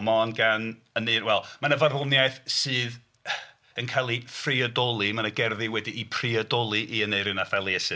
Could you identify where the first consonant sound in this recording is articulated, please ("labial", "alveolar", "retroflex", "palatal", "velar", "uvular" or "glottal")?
labial